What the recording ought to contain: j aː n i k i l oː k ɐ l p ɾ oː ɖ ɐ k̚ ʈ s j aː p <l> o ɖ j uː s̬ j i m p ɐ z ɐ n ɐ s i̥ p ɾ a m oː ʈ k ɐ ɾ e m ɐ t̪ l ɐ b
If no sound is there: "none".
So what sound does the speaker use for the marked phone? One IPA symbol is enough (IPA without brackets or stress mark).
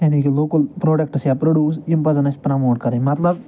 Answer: ɾ